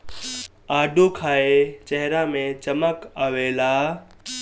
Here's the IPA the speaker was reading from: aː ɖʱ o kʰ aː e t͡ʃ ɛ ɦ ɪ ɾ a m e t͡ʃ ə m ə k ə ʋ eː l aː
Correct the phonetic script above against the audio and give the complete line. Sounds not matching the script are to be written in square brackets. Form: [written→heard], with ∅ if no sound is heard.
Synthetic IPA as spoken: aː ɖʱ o kʰ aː e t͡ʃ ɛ ɦ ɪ ɾ a m [e→ẽ] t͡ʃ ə m ə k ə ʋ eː l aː